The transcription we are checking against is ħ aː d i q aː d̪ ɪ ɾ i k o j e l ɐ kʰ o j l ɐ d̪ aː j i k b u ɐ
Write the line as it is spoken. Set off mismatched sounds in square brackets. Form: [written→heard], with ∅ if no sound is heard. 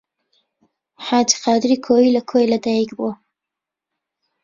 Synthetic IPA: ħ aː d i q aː d̪ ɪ ɾ i [k→kʰ] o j [e→i] l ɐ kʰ o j l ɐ d̪ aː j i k b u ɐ